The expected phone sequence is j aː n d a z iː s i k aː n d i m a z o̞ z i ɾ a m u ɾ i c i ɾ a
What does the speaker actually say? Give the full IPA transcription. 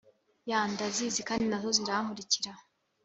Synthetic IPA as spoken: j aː n d a z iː z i k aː n d i n a z o̞ z i ɾ a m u ɾ i c i ɾ a